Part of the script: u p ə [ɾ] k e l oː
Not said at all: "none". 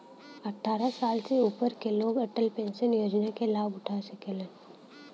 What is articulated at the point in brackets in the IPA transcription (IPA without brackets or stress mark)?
ɾ